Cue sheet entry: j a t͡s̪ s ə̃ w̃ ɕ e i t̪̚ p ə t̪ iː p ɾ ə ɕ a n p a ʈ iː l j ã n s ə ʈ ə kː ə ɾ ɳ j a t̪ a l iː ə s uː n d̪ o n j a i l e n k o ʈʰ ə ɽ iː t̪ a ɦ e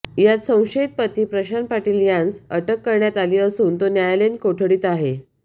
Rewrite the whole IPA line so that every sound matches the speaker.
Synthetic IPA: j a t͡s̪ s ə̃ w̃ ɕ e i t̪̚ p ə t̪ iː p ɾ ə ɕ a n p a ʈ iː l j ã n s ə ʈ ə kː ə ɾ ɳ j a t̪ a l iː ə s uː n t̪ o n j a j l e n k o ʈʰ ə ɽ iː t̪ a ɦ e

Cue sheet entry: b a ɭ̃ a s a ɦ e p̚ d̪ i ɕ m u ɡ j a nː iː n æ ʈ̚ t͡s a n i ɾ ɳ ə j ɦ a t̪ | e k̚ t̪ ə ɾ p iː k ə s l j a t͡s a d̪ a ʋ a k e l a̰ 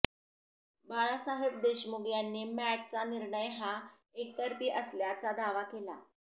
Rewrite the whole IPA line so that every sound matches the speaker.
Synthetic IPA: b a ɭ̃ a s a ɦ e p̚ d̪ e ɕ m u ɡ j a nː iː m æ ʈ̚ t͡s a n i ɾ ɳ ə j ɦ a | e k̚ t̪ ə ɾ p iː ʔ ə s l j a t͡s a d̪ a ʋ a k e l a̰

